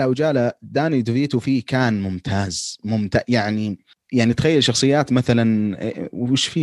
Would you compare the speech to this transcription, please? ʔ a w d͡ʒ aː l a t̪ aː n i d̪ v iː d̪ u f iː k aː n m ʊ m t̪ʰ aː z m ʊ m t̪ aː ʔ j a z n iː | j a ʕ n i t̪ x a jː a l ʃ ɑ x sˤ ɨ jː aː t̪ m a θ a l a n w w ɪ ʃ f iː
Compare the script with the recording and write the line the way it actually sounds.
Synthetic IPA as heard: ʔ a w d͡ʒ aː l a d̪ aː n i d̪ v iː t̪ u f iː k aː n m ʊ m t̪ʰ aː z m ʊ m t̪ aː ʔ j a ʕ n i | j a ʕ n i t̪ x a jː a l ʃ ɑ x sˤ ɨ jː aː t̪ m a θ a l a n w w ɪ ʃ f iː